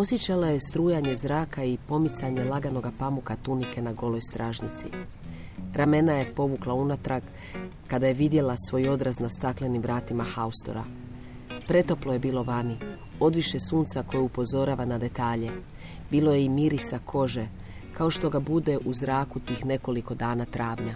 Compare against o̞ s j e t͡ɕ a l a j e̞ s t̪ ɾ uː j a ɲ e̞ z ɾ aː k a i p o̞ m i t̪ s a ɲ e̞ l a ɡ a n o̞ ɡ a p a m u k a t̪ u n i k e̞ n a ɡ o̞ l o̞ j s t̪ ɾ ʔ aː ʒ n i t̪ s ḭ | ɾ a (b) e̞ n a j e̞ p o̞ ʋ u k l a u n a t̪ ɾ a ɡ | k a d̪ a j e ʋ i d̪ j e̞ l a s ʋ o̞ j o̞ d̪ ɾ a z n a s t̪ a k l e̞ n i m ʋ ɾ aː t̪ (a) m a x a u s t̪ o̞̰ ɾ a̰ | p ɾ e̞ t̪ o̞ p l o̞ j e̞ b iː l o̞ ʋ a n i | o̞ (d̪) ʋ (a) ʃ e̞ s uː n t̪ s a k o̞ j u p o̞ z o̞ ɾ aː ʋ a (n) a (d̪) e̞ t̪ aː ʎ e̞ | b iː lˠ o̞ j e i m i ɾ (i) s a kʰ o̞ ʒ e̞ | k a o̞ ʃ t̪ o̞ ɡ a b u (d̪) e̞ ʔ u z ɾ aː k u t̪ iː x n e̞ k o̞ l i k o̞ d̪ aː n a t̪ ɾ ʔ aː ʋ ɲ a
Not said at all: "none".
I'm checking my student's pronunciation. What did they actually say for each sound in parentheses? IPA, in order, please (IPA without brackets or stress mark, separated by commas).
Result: m, i, d̪, i, n, d̪, i, d̪